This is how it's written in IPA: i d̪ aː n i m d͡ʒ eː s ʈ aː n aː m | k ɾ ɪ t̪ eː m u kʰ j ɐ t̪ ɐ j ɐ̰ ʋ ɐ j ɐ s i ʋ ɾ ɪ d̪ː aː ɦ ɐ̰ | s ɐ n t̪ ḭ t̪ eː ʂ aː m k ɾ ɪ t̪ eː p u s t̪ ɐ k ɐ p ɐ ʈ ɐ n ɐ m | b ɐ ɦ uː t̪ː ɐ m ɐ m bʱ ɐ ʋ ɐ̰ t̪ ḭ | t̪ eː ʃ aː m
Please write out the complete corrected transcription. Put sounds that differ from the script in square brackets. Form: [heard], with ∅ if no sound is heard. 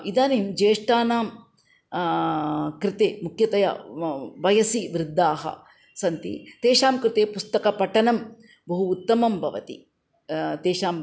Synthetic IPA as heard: i d̪ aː n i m d͡ʒ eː [ʂ] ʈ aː n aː m | k ɾ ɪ t̪ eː m u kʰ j ɐ t̪ ɐ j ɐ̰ ʋ ɐ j ɐ s i ʋ ɾ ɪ d̪ː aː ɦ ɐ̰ | s ɐ n t̪ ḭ t̪ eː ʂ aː m k ɾ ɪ t̪ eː p u s t̪ ɐ k ɐ p ɐ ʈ ɐ n ɐ m | b ɐ ɦ uː t̪ː ɐ m ɐ m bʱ ɐ ʋ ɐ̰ t̪ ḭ | t̪ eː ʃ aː m